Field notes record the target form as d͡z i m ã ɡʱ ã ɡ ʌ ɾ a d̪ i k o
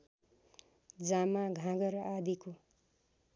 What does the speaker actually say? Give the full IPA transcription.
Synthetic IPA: d͡z a m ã ɡʱ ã ɡ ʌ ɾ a d̪ i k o